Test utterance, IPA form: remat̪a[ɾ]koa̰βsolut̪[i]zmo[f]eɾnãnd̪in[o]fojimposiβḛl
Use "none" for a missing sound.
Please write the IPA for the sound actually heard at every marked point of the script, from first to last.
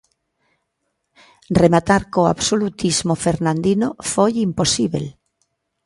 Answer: ɾ, i, f, o

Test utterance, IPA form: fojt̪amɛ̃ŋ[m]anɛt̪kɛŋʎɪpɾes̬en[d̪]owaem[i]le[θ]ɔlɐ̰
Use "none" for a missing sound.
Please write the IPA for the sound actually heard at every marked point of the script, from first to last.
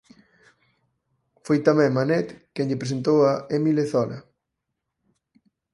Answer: m, t̪, i, θ

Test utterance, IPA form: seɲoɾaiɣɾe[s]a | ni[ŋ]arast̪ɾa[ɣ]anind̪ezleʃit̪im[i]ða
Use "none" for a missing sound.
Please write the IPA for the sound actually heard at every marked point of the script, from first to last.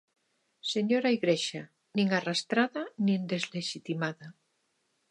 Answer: ʃ, ŋ, ð, a

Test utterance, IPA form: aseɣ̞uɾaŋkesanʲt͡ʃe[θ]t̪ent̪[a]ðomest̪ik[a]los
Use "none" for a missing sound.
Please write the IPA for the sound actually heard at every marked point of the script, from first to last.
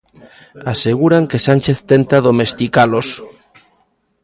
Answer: θ, a, a

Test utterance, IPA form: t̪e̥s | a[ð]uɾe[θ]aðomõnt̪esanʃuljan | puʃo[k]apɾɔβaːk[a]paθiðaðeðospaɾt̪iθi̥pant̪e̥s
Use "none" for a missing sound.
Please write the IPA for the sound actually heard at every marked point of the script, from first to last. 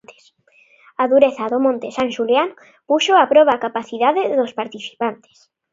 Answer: ð, θ, none, a

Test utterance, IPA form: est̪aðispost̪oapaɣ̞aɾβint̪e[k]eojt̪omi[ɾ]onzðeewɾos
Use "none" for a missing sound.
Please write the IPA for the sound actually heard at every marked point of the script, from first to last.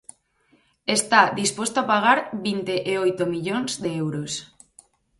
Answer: ʔ, ʎ

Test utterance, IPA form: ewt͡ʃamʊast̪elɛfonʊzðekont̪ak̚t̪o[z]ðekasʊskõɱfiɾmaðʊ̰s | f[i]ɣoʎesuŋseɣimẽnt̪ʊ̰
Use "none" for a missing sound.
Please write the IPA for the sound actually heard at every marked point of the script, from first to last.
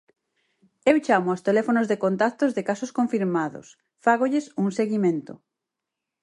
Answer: z, a

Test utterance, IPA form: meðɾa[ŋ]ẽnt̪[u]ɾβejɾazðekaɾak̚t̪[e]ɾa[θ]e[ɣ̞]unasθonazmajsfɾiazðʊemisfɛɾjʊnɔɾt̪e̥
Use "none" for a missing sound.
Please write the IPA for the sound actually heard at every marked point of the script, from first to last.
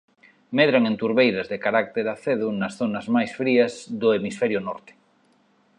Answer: ŋ, u, e, θ, ð̞

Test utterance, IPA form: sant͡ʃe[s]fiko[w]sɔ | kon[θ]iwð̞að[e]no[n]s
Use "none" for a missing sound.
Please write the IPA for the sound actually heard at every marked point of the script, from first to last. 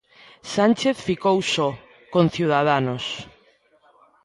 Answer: θ, w, θ, a, none

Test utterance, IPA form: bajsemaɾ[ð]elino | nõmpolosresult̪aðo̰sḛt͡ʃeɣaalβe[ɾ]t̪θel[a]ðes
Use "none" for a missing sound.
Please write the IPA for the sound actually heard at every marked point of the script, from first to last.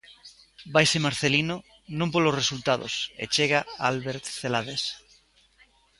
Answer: θ, ɾ, a

